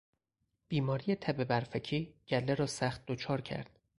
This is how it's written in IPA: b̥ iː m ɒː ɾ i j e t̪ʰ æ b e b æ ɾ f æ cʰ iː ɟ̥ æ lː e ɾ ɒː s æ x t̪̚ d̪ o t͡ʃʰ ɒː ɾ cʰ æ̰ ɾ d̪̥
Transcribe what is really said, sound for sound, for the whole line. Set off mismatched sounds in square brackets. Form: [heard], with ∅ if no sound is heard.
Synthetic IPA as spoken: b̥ iː m ɒː ɾ i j e t̪ʰ æ b e b æ ɾ f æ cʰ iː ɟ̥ æ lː e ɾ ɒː s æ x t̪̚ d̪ o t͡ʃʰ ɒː ɾ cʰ æ̰ ɾ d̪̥